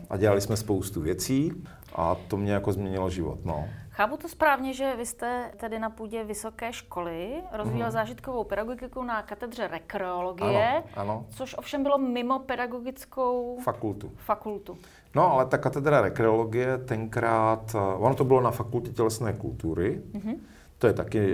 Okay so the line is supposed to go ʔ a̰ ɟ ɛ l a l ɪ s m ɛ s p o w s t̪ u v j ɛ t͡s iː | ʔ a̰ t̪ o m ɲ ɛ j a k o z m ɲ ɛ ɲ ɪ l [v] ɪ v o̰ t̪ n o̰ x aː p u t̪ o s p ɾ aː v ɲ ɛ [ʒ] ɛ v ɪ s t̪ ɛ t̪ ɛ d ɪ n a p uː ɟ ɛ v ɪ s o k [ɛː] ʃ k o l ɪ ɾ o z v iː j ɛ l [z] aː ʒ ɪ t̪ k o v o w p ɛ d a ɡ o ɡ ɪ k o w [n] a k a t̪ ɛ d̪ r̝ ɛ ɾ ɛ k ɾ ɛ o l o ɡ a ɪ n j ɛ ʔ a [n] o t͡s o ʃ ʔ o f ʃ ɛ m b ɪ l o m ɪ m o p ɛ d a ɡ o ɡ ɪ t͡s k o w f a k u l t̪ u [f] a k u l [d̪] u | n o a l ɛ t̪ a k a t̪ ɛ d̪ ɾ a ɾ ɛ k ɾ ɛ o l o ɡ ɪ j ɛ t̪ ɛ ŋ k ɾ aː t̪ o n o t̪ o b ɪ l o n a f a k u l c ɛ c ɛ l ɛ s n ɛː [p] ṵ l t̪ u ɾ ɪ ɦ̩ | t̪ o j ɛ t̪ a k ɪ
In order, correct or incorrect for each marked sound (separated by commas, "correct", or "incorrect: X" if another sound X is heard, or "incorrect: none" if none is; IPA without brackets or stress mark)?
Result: incorrect: ʒ, correct, correct, correct, correct, correct, correct, incorrect: t̪, incorrect: k